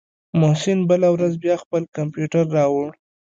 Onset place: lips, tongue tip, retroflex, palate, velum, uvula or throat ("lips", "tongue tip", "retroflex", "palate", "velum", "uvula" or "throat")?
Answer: lips